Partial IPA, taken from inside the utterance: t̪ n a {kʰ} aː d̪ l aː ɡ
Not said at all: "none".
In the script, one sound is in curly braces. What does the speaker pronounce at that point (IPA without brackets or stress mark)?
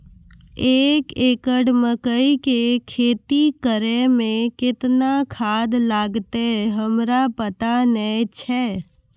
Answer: kʰ